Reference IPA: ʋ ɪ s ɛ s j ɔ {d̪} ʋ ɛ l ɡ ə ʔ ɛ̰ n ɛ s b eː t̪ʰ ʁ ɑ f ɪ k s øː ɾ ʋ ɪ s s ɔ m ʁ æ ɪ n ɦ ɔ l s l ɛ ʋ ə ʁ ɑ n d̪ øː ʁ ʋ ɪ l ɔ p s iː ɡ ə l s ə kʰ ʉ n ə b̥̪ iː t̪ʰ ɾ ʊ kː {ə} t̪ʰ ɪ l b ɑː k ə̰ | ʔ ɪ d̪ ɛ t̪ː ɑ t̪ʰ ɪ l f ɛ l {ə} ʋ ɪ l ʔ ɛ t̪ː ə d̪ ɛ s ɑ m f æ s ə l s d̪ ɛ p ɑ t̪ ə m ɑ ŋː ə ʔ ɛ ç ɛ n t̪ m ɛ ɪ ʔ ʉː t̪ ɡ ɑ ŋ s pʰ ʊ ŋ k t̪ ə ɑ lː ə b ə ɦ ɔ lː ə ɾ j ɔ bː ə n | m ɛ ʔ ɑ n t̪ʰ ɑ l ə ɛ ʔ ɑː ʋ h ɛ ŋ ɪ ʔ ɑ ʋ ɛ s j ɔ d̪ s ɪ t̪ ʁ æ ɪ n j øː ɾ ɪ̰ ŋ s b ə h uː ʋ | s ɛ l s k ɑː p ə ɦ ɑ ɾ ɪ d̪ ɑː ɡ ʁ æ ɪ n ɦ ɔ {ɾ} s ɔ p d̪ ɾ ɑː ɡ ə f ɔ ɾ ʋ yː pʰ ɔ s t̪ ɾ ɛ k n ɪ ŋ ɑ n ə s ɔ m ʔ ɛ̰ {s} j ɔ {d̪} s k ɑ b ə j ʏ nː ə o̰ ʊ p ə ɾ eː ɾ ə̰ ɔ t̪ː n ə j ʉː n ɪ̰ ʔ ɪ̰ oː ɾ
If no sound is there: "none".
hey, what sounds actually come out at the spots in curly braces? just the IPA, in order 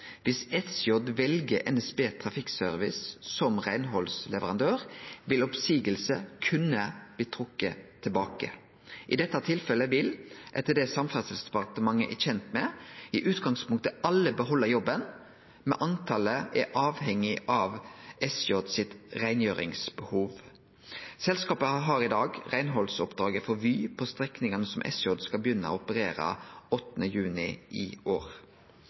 d̪, ə, ə, l, s, d̪

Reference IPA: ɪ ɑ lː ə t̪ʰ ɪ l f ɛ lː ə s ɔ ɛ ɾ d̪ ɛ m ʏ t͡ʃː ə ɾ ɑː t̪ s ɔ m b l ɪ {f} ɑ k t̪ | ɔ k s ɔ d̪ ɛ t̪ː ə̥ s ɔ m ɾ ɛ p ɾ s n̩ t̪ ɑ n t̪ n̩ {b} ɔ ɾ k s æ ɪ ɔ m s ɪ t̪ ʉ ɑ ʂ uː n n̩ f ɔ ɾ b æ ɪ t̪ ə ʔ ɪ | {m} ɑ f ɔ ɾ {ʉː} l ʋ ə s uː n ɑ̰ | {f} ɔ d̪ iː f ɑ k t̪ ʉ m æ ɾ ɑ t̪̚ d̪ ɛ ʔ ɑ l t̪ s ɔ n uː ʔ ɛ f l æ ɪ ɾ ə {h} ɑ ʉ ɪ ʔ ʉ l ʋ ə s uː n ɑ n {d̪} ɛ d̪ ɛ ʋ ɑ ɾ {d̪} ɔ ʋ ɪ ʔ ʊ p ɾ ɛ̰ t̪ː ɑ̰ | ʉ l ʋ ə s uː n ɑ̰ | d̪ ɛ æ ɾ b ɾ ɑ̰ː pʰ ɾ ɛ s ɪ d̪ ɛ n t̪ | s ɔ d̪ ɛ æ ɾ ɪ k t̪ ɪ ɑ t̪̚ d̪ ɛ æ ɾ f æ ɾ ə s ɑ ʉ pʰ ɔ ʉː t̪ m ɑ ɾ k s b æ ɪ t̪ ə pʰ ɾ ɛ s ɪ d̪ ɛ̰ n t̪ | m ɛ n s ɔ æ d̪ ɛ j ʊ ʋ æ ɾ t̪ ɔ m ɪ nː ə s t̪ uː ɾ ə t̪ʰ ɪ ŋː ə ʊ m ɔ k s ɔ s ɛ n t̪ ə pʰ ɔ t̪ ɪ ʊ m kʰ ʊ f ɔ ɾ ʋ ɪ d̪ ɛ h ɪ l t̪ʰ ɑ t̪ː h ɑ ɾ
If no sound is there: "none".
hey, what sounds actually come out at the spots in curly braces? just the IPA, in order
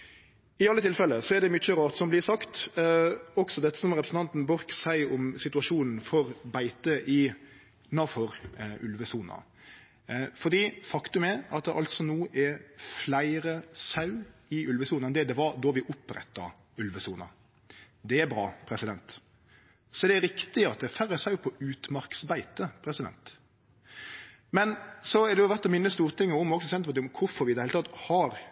s, b, n, ʉ, f, s, d̪, d̪

